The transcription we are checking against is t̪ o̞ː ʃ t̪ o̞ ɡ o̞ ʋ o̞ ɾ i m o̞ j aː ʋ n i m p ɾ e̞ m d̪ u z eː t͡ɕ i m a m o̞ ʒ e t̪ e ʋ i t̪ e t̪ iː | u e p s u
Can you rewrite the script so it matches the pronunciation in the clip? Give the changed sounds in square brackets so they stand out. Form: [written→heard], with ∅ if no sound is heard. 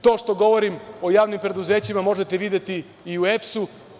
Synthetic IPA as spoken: t̪ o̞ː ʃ t̪ o̞ ɡ o̞ ʋ o̞ ɾ i m o̞ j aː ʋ n i m p ɾ e̞ [m→∅] d̪ u z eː t͡ɕ i m a m o̞ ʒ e t̪ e ʋ i [t̪→d̪] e t̪ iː | u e p s u